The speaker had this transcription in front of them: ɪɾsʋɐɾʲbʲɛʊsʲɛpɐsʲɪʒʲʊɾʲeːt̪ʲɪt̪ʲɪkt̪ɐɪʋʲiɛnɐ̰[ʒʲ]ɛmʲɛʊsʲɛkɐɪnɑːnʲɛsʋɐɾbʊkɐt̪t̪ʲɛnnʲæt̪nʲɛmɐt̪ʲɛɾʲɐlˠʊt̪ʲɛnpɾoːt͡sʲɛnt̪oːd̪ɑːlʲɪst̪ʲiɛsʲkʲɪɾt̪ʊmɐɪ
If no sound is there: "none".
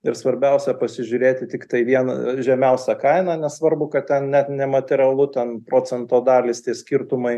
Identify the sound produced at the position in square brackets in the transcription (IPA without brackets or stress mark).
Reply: ʒʲ